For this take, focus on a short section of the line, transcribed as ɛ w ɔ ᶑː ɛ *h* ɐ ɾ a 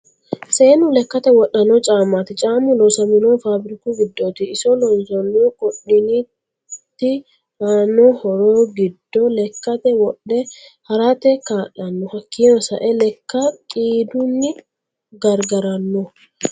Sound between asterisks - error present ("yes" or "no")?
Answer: no